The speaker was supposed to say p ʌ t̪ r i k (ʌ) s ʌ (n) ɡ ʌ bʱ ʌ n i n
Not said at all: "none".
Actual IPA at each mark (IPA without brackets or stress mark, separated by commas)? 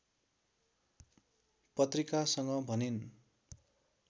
a, ŋ